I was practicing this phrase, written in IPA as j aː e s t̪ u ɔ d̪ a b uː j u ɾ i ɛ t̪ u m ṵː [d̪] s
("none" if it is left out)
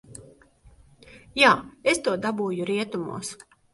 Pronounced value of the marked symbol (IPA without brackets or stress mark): none